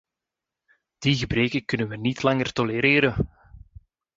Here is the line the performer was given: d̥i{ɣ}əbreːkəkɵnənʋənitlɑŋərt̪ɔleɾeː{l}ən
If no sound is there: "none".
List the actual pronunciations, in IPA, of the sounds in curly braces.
ɣ, ɾ

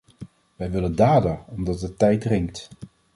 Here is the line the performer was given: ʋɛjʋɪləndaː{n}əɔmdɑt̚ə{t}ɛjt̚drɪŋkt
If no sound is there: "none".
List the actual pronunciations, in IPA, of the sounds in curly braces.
d, t

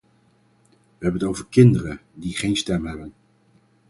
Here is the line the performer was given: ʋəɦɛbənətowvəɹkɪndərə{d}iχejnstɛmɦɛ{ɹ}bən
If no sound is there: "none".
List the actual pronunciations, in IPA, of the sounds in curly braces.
d, none

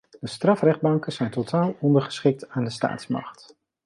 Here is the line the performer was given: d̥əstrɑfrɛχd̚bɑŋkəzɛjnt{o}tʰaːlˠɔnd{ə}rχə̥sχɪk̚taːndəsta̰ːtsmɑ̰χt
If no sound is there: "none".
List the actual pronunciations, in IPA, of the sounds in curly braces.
o, ə

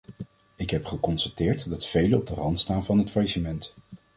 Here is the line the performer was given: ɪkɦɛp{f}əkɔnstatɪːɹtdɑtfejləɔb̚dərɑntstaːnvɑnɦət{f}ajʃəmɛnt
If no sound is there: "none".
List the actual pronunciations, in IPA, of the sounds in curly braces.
χ, f

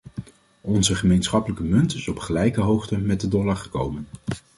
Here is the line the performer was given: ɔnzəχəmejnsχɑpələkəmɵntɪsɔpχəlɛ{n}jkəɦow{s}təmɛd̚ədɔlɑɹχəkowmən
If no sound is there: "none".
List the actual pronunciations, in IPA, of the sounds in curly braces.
none, χ

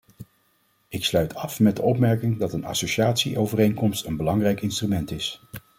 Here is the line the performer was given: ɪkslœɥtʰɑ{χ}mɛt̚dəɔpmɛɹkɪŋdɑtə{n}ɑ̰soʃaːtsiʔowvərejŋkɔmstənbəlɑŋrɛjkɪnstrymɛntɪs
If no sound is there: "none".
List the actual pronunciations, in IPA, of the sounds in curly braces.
f, n

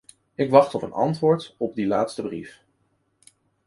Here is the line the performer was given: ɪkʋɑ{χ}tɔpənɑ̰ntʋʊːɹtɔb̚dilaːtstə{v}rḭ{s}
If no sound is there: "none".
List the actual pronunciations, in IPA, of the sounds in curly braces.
χ, b, f

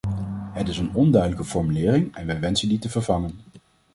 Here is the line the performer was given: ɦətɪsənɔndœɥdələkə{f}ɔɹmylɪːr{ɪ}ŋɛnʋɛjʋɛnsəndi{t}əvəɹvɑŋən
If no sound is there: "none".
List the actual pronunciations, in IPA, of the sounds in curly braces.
f, ɪ, t

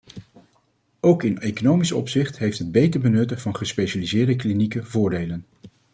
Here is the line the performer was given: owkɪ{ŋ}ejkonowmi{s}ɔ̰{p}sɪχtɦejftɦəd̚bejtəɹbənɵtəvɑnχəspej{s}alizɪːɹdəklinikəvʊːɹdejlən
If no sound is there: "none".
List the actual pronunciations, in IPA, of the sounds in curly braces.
n, s, p, ʃ

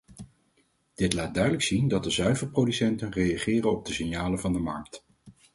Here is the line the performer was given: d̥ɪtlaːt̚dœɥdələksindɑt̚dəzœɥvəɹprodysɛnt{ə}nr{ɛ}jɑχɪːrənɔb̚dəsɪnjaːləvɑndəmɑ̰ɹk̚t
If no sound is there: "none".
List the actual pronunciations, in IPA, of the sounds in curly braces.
ə, e

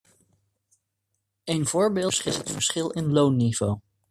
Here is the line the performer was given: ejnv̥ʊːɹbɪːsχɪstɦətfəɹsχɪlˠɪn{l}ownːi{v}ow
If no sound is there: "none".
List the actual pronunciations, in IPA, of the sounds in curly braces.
l, v

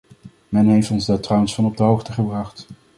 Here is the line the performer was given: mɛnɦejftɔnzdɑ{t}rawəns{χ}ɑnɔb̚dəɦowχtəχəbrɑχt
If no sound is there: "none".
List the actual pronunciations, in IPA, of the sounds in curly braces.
t, f

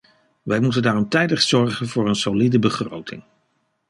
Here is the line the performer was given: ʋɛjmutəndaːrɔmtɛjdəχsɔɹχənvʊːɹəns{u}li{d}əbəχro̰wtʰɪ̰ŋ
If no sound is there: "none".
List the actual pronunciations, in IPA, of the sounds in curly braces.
o, d

